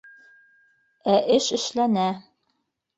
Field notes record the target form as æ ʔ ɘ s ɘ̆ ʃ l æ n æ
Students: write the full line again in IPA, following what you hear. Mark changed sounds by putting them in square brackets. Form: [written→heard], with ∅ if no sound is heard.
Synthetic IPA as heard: æ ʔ ɘ [s→ʃ] ɘ̆ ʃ l æ n æ